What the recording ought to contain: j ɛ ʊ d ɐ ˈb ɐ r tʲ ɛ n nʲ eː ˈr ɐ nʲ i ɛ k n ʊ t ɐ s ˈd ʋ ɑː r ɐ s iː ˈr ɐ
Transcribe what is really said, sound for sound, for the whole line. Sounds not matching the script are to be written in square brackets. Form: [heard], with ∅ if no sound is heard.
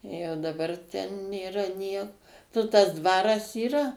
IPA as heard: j ɛ ʊ d ɐ ˈb ɐ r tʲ ɛ n nʲ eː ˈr ɐ nʲ i ɛ k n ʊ t ɐ s ˈd ʋ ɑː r ɐ s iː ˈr ɐ